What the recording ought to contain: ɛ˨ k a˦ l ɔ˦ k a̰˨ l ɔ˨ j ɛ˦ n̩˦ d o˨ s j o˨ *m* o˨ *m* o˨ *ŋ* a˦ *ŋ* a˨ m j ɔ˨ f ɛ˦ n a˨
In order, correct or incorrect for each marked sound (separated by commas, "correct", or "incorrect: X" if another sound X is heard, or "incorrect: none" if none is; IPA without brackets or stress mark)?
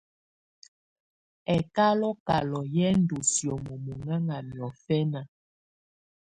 correct, correct, correct, correct